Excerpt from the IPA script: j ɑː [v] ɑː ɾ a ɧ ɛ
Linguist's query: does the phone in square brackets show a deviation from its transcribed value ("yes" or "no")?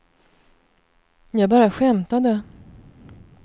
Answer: yes